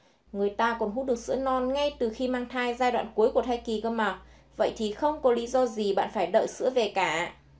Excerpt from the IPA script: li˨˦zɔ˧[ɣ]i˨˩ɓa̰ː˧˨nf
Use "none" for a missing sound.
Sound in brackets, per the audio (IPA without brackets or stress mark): z